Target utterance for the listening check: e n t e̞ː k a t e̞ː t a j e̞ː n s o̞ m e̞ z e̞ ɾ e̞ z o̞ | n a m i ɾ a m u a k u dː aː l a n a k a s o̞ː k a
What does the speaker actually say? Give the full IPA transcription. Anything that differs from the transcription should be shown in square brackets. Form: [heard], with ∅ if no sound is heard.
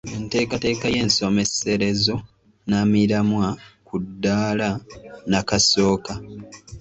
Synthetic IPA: e n t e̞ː k a t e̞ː [k] a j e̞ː n s o̞ m e̞ [s] e̞ ɾ e̞ z o̞ | n a m i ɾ a m [w] a k u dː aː l a n a k a s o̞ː k a